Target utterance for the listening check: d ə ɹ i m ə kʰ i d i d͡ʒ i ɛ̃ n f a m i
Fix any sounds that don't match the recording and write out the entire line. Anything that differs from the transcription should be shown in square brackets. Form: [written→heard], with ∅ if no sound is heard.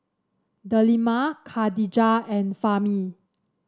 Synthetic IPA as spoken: d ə [ɹ→l] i m [ə→a] kʰ [i→a] d i d͡ʒ [i→a] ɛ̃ n f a m i